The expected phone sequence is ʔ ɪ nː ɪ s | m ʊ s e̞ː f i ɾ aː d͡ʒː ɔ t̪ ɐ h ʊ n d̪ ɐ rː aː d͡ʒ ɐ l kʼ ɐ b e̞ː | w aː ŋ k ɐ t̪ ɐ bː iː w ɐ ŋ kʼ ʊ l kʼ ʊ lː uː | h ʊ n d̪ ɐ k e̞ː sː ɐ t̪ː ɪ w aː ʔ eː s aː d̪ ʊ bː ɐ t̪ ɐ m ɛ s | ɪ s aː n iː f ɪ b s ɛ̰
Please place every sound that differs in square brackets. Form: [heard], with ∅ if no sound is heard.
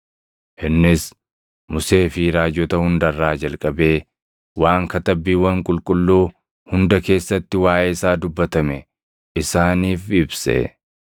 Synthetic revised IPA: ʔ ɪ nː ɪ s | m ʊ s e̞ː f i ɾ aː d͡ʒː ɔ t̪ ɐ h ʊ n d̪ ɐ rː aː d͡ʒ ɐ l kʼ ɐ b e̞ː | w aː ŋ k ɐ t̪ ɐ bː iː w ɐ ŋ kʼ ʊ l kʼ ʊ lː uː | h ʊ n d̪ ɐ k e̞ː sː ɐ t̪ː ɪ w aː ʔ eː s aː d̪ ʊ bː ɐ t̪ ɐ m ɛ [∅] | ɪ s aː n iː f ɪ b s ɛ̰